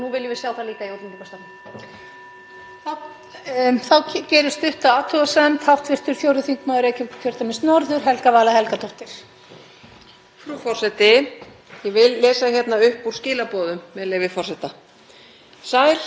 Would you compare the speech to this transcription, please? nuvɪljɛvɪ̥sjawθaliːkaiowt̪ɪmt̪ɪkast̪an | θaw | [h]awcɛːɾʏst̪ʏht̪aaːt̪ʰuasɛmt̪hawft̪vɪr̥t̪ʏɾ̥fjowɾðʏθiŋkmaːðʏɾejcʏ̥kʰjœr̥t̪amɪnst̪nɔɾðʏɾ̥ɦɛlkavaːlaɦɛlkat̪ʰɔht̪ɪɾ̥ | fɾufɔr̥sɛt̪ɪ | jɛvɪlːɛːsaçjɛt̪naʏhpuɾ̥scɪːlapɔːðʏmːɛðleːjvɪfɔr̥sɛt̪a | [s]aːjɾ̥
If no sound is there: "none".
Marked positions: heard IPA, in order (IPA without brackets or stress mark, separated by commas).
θ, s